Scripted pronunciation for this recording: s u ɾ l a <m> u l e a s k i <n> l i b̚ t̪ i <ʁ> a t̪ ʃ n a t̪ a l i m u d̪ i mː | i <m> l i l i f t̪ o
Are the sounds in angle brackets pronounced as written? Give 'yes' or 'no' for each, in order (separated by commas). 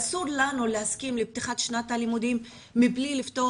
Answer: no, no, no, no